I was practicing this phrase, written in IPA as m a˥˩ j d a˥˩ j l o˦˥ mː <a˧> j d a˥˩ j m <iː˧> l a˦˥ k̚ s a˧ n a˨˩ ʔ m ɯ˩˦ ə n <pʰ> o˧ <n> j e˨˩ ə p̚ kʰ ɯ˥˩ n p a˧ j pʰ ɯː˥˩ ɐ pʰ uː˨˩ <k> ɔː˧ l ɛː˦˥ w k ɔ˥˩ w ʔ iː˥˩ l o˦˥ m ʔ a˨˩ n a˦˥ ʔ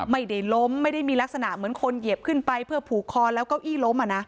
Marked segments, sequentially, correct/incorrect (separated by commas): incorrect, correct, incorrect, correct, incorrect